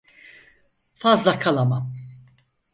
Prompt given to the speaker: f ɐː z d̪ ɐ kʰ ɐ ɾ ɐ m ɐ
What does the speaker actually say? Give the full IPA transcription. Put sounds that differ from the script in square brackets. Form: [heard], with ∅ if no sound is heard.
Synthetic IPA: f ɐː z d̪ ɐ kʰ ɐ [l] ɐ m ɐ